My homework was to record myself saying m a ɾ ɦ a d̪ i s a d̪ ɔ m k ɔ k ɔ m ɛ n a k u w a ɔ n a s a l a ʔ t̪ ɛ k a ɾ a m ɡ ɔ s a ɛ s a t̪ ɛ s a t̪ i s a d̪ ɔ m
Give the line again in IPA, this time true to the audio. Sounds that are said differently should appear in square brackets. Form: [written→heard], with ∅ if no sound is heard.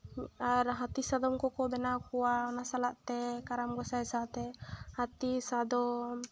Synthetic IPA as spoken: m a ɾ ɦ a [d̪→t̪] i s a d̪ ɔ m k ɔ k ɔ [m→b] ɛ n a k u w a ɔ n a s a l a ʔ t̪ ɛ k a ɾ a m ɡ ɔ s a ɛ s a t̪ ɛ [s→h] a t̪ i s a d̪ ɔ m